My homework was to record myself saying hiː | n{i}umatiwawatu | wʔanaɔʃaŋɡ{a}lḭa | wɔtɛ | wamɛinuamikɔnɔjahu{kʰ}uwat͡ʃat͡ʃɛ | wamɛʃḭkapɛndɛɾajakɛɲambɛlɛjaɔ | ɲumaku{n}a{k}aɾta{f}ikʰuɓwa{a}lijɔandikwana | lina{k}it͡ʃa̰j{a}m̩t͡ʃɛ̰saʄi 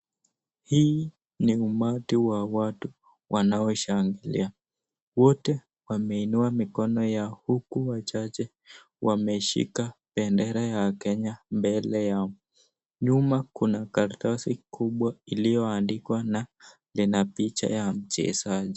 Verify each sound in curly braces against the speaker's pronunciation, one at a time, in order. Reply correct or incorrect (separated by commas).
correct, incorrect, incorrect, correct, correct, incorrect, incorrect, incorrect, correct